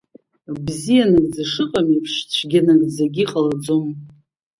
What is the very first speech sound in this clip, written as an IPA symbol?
b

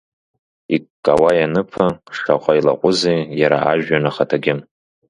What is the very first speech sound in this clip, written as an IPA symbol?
i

